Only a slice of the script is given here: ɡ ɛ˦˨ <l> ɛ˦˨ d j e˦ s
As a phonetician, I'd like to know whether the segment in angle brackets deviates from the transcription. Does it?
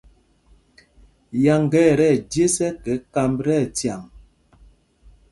yes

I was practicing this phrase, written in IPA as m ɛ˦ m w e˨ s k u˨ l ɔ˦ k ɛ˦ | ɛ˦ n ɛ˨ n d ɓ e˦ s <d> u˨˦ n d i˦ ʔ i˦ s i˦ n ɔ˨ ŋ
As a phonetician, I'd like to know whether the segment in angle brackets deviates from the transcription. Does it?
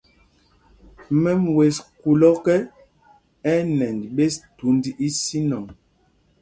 yes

